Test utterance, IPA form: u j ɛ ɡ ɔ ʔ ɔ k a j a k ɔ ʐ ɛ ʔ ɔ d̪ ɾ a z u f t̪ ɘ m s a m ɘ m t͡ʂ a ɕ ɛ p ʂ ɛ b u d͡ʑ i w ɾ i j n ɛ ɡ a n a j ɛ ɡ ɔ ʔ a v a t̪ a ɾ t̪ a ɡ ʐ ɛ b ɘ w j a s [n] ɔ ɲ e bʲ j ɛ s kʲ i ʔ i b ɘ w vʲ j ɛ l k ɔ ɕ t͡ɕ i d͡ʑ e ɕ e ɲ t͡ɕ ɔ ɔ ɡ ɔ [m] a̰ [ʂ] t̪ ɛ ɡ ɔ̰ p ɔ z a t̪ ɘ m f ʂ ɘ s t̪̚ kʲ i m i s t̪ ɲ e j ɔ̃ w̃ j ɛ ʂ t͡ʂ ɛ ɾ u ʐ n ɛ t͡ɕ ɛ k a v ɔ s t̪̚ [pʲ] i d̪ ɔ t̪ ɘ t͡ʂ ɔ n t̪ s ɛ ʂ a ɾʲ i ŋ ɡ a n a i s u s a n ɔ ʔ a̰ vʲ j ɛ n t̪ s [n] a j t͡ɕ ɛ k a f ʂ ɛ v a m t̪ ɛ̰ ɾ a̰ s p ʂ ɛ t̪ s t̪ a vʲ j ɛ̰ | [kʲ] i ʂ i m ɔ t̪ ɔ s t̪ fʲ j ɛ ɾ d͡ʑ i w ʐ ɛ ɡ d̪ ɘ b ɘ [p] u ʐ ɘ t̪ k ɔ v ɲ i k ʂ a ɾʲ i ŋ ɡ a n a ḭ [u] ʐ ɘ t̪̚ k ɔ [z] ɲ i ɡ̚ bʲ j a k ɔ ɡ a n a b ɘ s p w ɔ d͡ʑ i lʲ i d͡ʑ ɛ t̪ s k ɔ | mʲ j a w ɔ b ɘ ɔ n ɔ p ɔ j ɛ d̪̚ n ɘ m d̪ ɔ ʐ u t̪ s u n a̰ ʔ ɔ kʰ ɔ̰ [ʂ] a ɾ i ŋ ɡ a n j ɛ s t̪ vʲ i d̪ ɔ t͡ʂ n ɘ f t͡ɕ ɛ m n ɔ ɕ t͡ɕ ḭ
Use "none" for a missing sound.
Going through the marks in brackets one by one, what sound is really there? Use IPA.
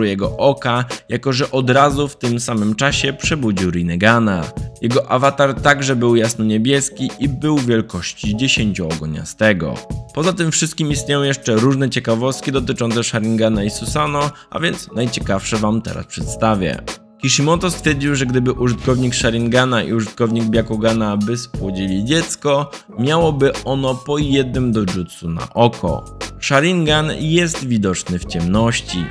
n, ɲ, s, kʲ, n, kʲ, ʔ, u, v, ʂ

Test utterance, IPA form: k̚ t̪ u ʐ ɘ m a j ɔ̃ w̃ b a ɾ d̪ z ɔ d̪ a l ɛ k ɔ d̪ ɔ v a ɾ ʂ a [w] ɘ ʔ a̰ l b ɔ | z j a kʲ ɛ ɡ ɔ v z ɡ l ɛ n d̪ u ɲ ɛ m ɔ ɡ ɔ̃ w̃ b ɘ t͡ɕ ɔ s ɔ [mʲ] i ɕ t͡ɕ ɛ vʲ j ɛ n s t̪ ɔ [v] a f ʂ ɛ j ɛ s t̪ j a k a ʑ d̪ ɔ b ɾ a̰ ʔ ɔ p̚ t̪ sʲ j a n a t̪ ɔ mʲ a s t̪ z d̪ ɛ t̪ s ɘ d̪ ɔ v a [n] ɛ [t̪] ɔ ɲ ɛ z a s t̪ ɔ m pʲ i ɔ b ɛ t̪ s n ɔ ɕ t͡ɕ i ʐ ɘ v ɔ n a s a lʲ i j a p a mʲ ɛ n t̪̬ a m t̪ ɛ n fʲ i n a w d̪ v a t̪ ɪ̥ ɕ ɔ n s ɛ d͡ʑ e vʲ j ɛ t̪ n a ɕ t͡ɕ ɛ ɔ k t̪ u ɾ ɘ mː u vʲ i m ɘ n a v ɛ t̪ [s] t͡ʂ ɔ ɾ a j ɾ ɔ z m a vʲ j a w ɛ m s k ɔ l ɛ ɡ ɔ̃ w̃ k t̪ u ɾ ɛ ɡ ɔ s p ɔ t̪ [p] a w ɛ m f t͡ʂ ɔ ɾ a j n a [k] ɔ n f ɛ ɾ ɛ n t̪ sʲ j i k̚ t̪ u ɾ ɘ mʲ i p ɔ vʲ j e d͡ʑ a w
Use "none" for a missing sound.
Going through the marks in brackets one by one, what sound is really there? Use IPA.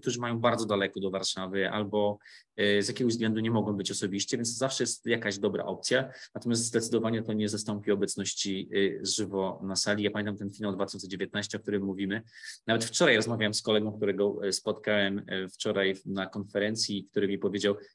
v, bʲ, z, ɲ, t̪, f, k, k

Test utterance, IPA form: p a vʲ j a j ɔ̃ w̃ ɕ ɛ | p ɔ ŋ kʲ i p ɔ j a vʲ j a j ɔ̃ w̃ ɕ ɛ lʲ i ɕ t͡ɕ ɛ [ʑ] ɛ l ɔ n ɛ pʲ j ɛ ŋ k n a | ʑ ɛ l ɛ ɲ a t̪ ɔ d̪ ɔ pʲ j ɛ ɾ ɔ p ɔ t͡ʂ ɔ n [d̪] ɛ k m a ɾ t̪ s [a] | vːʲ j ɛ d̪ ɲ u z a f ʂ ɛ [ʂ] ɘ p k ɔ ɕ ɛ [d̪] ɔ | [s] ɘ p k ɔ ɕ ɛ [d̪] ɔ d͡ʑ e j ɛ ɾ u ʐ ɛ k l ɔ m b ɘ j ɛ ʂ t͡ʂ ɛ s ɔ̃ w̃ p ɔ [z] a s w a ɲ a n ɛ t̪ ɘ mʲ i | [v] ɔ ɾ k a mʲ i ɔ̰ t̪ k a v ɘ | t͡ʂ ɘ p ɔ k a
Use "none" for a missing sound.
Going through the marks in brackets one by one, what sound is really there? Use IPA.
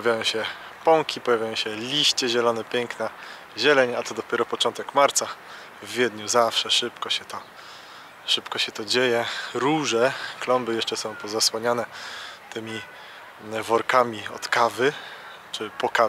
ʑ, t̪, a, ʂ, t̪, ʂ, t̪, z, v

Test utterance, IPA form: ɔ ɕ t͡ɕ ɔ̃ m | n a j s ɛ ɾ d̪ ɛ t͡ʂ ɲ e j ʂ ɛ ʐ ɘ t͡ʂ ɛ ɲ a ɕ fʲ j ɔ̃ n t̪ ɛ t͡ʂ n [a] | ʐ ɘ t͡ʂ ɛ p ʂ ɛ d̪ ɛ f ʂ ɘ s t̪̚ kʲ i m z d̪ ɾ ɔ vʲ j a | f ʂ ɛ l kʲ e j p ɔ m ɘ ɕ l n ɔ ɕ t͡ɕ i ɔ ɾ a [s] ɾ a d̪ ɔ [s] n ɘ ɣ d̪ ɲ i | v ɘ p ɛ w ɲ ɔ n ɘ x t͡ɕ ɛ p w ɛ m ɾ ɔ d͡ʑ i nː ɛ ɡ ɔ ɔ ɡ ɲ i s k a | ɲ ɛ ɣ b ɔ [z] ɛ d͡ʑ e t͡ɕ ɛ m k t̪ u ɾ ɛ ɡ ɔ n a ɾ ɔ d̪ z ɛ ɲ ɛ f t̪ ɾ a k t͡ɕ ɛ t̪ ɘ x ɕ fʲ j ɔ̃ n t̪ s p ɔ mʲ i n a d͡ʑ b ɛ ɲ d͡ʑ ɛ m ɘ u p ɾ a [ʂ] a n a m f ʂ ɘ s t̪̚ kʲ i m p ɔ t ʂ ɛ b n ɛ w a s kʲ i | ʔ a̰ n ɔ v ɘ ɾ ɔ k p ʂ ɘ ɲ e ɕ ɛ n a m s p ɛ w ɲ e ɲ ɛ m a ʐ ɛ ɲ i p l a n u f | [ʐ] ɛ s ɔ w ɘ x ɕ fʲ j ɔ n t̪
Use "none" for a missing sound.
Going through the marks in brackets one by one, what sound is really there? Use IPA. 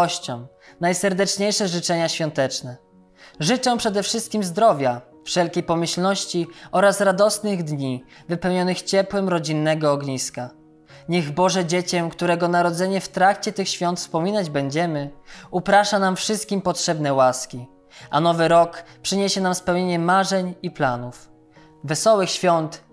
ɛ, s, s, ʐ, ʂ, v

